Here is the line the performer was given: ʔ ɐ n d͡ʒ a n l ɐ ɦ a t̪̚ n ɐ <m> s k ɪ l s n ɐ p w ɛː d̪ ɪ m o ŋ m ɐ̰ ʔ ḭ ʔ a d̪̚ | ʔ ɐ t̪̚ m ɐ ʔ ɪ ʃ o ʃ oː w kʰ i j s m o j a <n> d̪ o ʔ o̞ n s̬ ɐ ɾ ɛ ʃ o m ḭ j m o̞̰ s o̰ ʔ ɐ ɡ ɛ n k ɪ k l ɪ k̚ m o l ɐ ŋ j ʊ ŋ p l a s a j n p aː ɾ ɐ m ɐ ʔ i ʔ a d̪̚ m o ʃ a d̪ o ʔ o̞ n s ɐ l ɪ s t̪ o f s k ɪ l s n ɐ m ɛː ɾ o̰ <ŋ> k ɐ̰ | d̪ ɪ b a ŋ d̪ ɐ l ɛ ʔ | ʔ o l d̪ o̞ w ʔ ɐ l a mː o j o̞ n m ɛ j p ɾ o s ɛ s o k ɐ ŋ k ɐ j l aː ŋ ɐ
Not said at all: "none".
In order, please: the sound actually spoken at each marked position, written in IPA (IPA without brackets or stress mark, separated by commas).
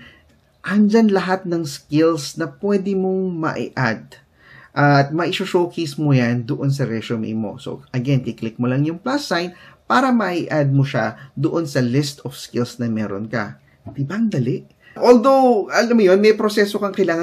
ŋ, n, n